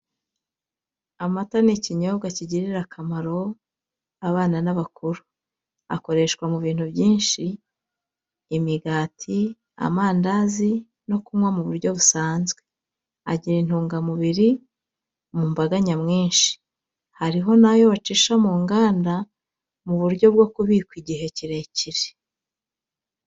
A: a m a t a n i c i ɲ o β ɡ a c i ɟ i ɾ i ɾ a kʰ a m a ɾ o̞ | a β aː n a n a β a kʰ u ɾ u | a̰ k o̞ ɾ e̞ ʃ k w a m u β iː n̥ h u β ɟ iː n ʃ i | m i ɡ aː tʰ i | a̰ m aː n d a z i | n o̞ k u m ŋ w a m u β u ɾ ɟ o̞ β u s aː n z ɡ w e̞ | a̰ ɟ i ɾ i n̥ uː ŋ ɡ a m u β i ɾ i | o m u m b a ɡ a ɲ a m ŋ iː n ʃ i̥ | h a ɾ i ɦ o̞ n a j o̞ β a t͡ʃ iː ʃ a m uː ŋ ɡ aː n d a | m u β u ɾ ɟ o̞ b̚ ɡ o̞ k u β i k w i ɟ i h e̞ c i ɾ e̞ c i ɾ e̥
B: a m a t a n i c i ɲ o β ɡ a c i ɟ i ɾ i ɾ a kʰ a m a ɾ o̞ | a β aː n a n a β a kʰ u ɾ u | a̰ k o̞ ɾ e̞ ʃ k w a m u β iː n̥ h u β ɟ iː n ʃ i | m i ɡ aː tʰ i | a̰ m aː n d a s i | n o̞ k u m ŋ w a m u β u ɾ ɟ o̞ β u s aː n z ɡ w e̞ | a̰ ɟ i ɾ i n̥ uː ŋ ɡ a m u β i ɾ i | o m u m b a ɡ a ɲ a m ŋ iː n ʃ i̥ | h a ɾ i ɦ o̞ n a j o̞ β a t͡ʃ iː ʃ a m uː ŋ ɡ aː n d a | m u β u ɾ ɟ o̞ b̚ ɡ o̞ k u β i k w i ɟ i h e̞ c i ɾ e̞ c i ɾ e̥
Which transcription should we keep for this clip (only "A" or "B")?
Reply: A